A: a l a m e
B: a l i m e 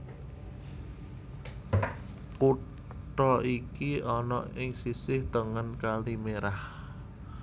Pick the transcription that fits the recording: B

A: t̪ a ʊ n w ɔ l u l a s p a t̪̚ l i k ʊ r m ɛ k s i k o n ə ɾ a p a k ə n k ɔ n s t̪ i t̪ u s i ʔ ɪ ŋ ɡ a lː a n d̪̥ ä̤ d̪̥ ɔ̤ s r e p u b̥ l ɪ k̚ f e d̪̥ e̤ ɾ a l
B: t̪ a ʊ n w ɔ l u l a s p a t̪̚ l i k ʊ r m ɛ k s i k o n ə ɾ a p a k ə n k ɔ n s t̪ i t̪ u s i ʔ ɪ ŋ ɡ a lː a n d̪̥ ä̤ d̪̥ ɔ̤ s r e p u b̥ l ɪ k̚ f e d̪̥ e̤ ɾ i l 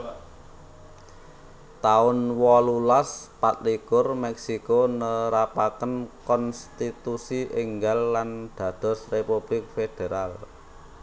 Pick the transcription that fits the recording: A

